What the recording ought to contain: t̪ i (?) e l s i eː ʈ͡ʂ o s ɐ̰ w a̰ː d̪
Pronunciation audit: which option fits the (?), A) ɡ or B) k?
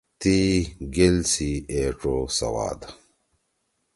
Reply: A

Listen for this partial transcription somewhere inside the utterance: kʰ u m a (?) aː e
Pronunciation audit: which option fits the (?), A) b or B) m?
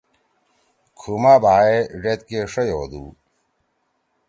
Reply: A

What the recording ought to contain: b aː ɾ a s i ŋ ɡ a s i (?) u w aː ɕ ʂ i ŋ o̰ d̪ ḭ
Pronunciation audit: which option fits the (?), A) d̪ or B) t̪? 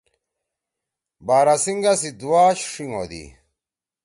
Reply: A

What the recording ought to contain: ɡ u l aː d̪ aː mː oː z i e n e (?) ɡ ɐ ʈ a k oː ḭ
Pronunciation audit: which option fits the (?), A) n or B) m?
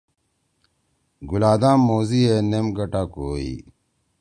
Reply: B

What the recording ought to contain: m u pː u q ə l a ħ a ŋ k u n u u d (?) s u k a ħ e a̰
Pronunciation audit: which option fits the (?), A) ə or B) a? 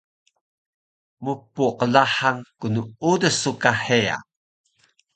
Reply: A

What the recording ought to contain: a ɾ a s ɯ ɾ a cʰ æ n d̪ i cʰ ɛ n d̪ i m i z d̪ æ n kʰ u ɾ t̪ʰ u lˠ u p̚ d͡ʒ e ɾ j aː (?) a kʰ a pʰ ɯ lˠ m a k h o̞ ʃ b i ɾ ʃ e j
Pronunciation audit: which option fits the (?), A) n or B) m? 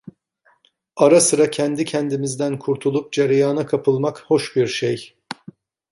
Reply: A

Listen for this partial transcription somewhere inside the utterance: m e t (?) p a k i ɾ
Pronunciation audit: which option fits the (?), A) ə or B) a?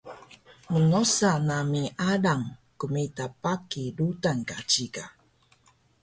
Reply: B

